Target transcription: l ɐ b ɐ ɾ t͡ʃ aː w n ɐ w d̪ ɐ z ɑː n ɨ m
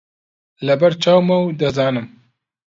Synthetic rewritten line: l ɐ b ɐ ɾ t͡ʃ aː w m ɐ w d̪ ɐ z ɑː n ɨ m